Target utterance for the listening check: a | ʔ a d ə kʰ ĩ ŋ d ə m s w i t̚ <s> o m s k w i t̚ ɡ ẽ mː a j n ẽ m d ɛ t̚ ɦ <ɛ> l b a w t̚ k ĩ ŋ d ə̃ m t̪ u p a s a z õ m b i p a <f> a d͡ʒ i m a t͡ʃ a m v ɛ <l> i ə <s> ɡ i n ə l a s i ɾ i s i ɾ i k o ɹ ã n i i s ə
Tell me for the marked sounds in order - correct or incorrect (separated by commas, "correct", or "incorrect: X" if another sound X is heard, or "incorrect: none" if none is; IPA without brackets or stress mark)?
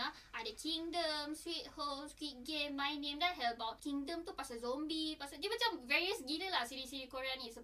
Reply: incorrect: h, correct, incorrect: s, incorrect: ɹ, correct